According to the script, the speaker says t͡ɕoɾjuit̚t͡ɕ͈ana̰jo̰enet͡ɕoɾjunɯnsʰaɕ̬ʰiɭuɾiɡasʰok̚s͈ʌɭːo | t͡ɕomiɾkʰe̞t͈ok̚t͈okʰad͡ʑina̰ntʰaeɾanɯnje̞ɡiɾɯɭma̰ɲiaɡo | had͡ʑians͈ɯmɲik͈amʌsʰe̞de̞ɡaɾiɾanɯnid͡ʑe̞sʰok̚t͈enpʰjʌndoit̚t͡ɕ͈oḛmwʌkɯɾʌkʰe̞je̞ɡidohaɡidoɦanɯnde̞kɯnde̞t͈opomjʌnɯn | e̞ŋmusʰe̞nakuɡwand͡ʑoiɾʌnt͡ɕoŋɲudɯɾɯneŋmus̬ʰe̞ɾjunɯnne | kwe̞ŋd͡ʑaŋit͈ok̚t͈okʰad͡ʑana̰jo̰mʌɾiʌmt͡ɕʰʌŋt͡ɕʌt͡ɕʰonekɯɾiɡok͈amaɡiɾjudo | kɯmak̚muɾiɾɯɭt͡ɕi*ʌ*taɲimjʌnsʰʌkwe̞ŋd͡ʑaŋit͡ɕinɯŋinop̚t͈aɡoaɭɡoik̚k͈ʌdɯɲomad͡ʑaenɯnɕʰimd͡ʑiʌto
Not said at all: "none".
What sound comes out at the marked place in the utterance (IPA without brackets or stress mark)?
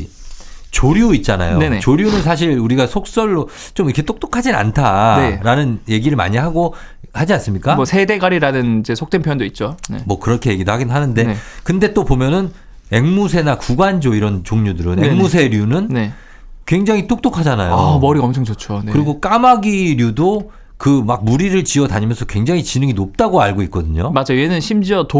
ʌ